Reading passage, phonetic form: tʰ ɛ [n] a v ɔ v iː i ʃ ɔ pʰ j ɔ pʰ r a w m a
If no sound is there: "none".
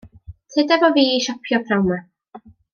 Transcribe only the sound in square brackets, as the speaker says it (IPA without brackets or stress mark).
d